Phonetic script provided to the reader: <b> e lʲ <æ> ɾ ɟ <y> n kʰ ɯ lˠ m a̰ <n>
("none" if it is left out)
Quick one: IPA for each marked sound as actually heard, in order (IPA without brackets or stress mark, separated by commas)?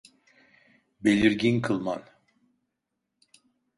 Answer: b, i, i, n